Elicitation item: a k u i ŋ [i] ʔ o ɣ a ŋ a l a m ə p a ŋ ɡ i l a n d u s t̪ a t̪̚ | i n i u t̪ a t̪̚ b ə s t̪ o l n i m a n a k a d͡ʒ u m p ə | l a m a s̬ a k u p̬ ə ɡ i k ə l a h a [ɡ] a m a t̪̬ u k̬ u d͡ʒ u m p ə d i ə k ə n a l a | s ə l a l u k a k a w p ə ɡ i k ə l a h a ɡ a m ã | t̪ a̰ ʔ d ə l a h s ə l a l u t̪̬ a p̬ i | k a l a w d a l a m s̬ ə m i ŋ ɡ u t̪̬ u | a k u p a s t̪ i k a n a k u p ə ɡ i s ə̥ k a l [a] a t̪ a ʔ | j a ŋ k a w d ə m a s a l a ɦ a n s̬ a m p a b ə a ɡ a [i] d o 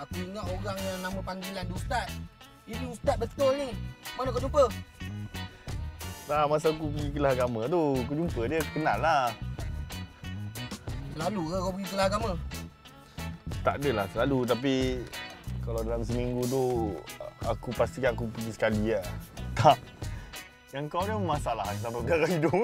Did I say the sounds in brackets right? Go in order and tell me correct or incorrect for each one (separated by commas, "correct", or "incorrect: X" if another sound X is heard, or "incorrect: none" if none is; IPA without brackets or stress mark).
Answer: incorrect: a, correct, incorrect: i, correct